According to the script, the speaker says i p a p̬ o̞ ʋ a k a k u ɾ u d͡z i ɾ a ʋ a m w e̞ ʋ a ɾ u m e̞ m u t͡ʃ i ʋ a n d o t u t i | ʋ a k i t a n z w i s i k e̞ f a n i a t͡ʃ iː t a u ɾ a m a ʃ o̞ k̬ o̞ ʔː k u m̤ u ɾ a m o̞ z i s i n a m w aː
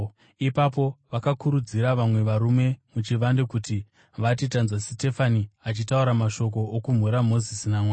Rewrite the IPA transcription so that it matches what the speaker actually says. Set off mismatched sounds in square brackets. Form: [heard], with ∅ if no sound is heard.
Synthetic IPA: i p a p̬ o̞ ʋ a k a k u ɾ u d͡z i ɾ a ʋ a m w e̞ ʋ a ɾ u m e̞ m u t͡ʃ i ʋ a n d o [k] u t i | ʋ a [t] i t a n z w [a] s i [t] e̞ f a n i a t͡ʃ [i] t a u ɾ a m a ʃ o̞ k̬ o̞ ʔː k u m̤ u ɾ a m o̞ z i s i n a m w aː